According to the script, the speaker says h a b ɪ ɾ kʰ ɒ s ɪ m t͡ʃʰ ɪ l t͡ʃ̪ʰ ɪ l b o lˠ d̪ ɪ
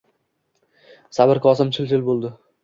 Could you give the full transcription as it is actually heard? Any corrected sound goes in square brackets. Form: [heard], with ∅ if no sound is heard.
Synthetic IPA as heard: [s] a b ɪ ɾ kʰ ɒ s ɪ m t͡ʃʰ ɪ l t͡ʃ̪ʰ ɪ l b o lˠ d̪ ɪ

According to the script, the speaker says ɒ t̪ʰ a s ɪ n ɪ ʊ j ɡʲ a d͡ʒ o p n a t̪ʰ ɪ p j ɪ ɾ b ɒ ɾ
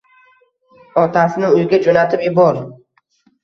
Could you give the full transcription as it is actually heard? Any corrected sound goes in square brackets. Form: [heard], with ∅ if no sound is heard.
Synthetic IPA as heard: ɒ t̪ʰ a s ɪ n ɪ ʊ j ɡʲ a d͡ʒ o [∅] n a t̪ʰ ɪ p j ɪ [∅] b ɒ ɾ

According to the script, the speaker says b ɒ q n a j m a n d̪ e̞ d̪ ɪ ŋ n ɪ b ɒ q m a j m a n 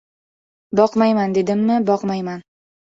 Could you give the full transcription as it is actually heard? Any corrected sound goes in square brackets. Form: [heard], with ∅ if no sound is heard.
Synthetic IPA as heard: b ɒ q [m] a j m a n d̪ e̞ d̪ ɪ [m] n ɪ b ɒ q m a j m a n

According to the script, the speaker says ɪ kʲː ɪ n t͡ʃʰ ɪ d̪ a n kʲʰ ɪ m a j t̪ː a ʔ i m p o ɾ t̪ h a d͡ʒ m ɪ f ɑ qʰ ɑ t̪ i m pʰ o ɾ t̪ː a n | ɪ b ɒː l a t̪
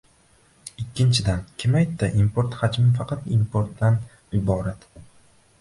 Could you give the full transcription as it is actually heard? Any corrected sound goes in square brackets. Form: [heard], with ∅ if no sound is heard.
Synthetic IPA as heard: ɪ kʲː ɪ n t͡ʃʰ ɪ d̪ a n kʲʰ ɪ m a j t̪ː a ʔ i m p o ɾ t̪ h a d͡ʒ m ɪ f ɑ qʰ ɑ t̪ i m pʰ o ɾ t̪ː a n | ɪ b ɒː [ɾ] a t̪

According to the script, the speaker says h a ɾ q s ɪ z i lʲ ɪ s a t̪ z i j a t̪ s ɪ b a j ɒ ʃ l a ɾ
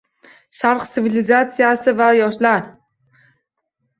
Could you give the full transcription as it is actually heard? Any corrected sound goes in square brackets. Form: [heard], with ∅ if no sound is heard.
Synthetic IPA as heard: [ʃ] a ɾ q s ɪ [v] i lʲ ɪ [z] a t̪ [s] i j a [∅] s ɪ [v] a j ɒ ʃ l a ɾ

